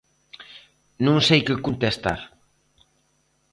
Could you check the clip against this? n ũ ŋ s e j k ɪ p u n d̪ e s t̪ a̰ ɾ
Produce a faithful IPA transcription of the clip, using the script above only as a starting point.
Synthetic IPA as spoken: n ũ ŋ s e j k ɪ k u n t̪ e s t̪ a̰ ɾ